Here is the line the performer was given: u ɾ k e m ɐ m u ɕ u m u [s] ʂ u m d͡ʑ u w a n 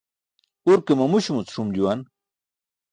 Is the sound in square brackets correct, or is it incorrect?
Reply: incorrect